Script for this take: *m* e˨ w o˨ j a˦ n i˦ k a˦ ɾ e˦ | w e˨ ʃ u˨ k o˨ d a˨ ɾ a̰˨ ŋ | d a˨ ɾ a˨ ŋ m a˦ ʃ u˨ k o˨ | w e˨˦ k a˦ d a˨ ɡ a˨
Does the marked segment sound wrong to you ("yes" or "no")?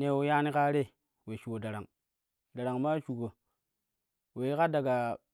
yes